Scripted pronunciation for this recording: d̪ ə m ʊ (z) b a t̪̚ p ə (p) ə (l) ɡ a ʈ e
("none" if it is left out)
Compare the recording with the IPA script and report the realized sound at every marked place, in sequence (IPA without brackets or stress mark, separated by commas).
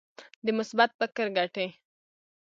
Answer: s, k, ɾ